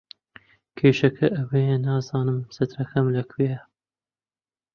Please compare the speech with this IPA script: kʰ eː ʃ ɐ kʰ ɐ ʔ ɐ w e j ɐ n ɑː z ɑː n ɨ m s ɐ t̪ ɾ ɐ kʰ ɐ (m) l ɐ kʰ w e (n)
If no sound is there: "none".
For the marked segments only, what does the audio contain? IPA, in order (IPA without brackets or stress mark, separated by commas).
m, none